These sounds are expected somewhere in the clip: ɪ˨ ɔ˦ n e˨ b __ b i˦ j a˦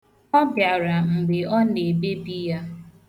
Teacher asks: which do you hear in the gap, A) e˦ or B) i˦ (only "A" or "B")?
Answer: A